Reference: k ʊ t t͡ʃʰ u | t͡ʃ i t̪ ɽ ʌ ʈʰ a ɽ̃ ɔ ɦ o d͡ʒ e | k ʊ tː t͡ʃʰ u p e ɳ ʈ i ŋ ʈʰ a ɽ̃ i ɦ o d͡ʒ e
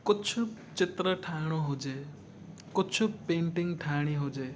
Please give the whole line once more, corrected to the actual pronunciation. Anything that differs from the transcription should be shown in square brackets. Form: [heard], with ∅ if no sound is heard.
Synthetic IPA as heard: k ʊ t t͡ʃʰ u | t͡ʃ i t̪ [ɾ] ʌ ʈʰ a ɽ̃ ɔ ɦ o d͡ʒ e | k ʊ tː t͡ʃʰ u p e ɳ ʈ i ŋ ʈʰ a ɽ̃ i ɦ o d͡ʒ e